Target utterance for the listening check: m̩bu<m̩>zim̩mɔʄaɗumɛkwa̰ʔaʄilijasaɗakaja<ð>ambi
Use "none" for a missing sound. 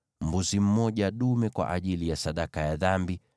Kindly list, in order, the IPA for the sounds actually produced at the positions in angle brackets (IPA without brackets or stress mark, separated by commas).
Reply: none, ð